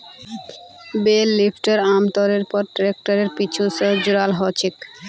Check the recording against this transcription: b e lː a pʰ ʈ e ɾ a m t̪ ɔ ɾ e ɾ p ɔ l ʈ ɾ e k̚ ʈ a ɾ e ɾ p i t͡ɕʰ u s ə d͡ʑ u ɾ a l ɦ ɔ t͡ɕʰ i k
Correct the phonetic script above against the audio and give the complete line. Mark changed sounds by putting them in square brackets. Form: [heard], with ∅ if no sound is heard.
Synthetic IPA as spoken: b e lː [i] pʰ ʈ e ɾ a m t̪ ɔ ɾ e ɾ p ɔ [ɾ] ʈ ɾ e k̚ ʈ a ɾ e ɾ p i t͡ɕʰ u s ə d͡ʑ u ɾ a l ɦ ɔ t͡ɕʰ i k